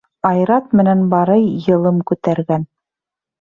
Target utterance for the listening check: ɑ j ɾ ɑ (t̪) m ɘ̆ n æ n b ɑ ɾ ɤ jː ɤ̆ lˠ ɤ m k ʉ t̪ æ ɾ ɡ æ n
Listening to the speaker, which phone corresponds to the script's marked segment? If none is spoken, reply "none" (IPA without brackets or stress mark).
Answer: t̪